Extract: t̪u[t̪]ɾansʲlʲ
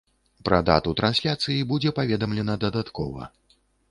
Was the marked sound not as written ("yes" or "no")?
no